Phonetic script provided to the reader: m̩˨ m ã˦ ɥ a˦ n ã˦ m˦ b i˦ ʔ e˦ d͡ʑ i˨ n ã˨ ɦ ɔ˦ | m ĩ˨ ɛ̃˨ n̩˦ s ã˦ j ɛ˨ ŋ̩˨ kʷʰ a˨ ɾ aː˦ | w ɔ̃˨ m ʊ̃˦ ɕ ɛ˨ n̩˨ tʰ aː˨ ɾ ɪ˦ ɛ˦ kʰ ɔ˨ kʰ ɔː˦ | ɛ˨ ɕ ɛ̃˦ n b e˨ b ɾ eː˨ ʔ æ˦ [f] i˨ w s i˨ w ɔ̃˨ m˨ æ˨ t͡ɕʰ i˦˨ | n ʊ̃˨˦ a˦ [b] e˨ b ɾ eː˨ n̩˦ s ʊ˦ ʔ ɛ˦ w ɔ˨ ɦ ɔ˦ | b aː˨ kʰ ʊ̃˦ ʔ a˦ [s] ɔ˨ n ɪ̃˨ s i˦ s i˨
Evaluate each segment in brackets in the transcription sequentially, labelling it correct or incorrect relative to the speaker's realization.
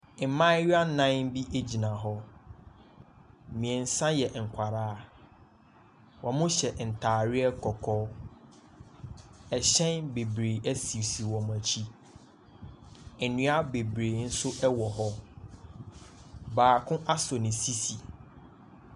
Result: incorrect: s, correct, correct

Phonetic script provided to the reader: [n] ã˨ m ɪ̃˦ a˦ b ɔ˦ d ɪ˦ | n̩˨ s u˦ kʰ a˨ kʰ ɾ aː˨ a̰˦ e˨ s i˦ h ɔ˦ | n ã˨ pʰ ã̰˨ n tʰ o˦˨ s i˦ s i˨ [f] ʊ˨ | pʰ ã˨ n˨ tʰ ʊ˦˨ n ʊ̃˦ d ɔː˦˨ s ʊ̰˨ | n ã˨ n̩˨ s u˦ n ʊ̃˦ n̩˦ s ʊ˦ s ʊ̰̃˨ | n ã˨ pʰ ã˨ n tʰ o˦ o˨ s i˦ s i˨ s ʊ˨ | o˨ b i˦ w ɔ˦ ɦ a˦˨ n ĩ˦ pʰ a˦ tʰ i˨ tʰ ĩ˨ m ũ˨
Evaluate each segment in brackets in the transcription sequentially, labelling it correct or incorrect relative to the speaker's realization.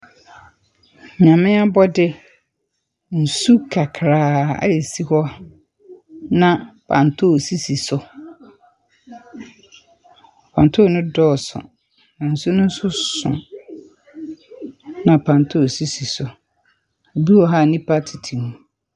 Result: incorrect: ɲ, incorrect: s

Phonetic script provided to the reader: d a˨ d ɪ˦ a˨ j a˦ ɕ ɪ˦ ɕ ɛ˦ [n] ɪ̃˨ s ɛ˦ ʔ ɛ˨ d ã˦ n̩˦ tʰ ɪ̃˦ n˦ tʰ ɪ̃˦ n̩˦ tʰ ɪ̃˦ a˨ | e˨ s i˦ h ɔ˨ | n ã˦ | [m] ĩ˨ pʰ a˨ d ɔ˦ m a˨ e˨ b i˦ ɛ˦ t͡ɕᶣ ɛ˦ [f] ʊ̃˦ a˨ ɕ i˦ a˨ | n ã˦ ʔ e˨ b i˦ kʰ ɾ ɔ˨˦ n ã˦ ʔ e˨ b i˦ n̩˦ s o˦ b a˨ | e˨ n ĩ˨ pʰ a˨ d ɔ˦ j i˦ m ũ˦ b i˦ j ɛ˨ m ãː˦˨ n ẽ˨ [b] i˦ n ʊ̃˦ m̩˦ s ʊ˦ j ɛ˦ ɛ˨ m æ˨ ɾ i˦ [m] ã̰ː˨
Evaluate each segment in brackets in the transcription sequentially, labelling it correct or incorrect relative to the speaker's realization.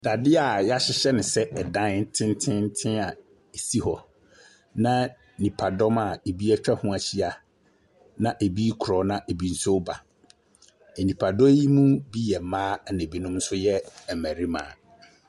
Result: correct, incorrect: n, incorrect: h, correct, correct

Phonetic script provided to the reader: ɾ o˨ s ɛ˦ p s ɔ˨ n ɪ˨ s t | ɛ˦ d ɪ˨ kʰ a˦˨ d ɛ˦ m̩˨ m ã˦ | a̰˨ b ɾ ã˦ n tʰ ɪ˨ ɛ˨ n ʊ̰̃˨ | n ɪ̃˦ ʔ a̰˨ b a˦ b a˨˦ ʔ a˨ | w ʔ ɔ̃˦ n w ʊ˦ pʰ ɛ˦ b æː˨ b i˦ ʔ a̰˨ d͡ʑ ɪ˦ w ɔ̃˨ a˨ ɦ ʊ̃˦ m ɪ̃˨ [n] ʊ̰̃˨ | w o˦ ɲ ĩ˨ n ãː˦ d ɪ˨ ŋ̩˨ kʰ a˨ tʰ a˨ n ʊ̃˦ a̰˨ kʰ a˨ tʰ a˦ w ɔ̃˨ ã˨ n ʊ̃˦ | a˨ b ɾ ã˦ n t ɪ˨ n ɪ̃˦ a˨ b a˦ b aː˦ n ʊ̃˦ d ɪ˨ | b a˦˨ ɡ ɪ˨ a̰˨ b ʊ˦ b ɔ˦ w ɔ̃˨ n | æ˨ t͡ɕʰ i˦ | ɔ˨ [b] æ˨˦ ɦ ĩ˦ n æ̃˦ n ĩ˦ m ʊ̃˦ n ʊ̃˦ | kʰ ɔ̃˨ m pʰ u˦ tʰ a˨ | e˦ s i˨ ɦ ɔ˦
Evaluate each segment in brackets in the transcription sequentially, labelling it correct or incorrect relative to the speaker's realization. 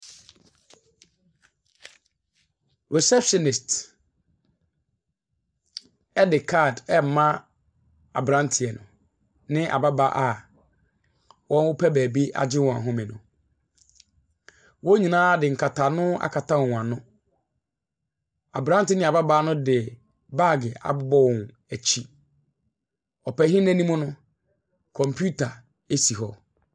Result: correct, incorrect: p

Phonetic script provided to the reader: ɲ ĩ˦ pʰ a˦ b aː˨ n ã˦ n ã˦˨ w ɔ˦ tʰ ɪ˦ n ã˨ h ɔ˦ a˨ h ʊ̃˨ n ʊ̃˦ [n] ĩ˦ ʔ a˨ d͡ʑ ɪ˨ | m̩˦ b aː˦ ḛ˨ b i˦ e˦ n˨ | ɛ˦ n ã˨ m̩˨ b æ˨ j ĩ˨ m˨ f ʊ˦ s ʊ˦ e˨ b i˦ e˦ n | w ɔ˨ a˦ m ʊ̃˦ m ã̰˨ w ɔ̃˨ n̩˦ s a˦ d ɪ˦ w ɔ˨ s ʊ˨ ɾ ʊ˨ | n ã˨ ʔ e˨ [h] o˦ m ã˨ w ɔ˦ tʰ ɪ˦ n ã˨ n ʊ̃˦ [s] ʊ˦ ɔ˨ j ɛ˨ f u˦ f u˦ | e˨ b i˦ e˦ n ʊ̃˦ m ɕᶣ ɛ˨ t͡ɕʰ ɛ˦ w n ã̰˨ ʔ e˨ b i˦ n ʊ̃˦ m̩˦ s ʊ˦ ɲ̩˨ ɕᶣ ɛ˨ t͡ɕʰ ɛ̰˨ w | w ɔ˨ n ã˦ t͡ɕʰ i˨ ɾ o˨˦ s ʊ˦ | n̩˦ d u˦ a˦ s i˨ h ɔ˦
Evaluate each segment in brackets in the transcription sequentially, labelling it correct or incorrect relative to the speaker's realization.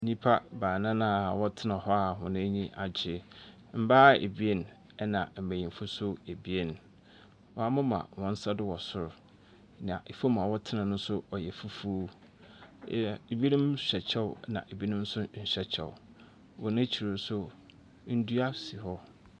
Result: incorrect: ɲ, incorrect: f, correct

